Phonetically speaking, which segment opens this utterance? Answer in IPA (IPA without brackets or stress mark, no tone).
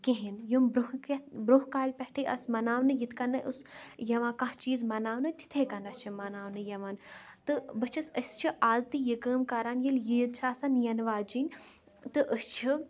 k